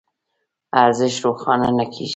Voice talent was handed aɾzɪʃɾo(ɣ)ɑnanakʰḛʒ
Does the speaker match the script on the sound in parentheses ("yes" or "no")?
no